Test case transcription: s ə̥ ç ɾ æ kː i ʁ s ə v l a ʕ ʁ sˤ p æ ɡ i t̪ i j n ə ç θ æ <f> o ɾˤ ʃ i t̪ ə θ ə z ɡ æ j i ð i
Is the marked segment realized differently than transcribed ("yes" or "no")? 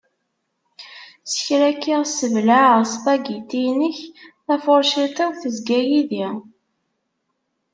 no